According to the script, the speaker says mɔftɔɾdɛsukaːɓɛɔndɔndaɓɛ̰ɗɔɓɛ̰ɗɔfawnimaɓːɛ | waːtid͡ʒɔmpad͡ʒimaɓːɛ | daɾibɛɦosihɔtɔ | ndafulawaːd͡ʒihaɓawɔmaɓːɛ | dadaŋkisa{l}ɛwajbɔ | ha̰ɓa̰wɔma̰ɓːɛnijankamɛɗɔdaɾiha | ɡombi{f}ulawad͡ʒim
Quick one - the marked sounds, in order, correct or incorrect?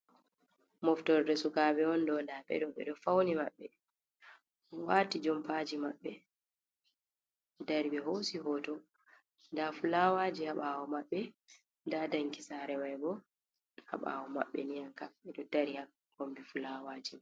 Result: incorrect, correct

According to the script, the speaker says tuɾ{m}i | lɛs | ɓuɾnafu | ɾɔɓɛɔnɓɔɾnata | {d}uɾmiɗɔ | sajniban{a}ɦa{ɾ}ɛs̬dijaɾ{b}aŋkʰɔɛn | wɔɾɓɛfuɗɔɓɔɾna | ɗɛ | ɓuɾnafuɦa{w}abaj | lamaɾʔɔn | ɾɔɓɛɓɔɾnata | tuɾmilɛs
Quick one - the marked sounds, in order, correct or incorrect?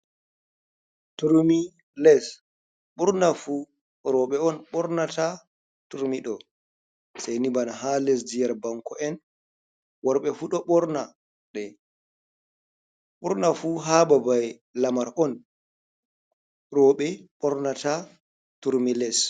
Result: correct, incorrect, correct, incorrect, correct, incorrect

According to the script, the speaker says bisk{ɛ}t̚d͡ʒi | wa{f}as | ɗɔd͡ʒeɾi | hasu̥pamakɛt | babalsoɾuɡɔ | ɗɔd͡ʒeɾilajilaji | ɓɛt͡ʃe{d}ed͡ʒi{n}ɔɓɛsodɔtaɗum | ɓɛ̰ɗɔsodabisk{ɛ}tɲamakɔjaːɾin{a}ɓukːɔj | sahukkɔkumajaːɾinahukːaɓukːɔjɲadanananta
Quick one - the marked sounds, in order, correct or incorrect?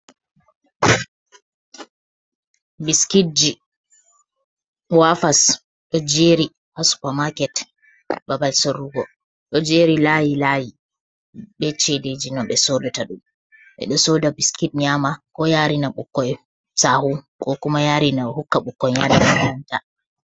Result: incorrect, correct, correct, correct, incorrect, correct

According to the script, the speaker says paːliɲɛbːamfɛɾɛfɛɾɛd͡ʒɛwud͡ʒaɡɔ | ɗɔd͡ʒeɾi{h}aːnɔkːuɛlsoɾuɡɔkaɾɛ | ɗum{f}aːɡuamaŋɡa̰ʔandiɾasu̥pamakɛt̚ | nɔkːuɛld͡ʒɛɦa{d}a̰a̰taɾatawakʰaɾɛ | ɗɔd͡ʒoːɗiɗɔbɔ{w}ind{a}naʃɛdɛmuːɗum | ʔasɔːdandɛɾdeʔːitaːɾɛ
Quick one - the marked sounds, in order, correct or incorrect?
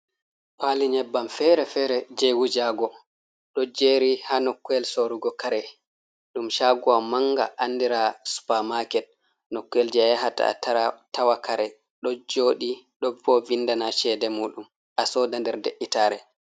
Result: correct, incorrect, incorrect, incorrect, correct

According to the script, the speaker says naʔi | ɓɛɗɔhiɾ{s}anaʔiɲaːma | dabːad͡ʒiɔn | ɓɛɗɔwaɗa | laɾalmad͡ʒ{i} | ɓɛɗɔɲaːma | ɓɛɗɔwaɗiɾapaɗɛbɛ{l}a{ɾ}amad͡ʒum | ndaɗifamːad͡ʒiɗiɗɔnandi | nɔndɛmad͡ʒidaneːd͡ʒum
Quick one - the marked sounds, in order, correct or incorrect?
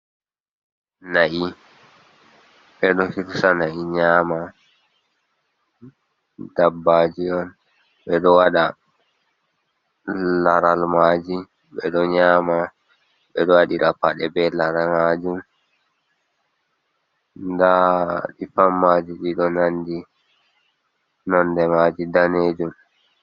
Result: correct, correct, correct, correct

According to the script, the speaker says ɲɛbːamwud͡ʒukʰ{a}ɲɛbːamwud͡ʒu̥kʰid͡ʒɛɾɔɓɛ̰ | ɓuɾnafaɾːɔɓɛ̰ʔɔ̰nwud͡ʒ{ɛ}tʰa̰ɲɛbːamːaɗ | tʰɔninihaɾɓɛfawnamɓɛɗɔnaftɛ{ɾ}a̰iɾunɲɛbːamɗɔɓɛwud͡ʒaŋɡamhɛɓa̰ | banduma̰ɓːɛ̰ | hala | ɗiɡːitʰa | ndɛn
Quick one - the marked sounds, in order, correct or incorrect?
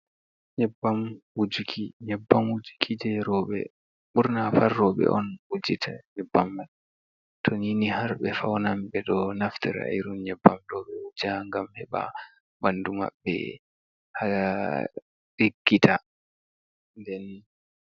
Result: incorrect, incorrect, correct

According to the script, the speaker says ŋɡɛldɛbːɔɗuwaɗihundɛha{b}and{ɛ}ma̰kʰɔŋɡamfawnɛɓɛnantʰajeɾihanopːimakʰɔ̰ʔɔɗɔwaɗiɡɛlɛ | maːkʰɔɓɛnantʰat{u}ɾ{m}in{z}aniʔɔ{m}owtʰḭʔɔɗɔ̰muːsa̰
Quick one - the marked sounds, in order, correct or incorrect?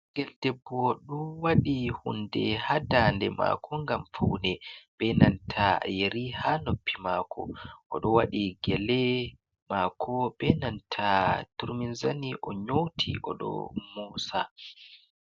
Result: incorrect, correct, correct, correct, correct, incorrect

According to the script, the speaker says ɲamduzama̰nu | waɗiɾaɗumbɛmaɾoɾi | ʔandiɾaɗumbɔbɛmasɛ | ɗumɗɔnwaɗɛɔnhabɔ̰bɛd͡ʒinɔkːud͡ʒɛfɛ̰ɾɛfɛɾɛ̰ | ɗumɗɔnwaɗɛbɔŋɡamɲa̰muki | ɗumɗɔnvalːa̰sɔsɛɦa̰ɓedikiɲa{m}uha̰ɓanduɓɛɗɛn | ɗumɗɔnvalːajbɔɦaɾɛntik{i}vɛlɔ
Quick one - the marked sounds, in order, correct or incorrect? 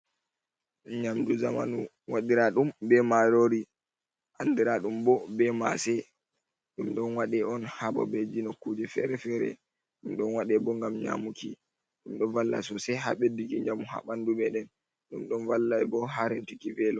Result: correct, correct

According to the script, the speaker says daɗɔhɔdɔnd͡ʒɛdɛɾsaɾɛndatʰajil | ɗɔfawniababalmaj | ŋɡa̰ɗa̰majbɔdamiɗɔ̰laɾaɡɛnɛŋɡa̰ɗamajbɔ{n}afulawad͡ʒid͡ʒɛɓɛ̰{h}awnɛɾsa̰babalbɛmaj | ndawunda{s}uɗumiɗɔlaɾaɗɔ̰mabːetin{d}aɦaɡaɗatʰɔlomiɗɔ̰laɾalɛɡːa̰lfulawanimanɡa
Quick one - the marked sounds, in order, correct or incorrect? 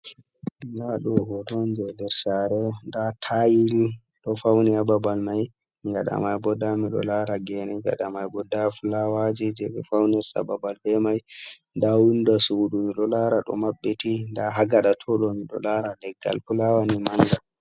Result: incorrect, incorrect, correct, correct

